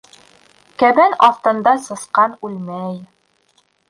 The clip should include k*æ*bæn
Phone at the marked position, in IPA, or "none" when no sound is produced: æ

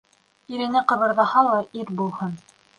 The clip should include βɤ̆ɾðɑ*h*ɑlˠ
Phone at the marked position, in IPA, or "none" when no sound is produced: h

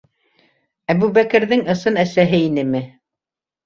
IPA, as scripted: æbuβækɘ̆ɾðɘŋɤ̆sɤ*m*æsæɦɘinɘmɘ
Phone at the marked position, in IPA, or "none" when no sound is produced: n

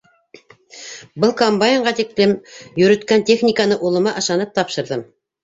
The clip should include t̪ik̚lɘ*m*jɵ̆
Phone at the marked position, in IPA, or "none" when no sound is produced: m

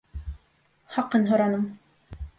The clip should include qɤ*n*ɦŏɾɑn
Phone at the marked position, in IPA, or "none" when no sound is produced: n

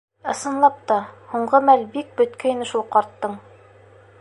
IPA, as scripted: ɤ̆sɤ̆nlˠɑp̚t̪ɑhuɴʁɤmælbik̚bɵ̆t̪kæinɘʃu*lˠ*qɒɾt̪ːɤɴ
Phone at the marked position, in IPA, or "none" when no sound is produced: lˠ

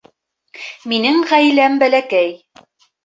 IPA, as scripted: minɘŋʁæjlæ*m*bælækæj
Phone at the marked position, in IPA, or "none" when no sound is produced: m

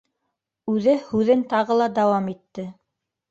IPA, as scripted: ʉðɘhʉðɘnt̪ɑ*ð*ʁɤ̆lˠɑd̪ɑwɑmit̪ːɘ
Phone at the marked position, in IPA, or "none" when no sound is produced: none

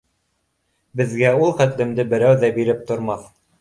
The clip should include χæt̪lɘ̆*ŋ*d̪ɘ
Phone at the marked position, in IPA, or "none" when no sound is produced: m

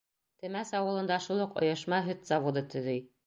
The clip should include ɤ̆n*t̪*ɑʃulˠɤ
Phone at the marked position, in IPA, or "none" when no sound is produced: d̪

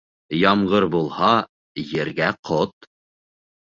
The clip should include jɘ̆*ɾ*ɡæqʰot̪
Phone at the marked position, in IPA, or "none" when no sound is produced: ɾ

